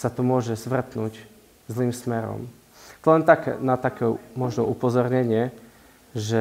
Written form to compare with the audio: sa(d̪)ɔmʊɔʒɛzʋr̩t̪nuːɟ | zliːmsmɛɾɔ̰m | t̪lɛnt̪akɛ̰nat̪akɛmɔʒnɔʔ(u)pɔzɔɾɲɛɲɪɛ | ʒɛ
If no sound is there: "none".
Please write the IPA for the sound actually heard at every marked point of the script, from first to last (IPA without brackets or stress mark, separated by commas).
t̪, u